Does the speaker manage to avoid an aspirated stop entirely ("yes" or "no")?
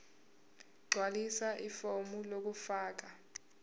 yes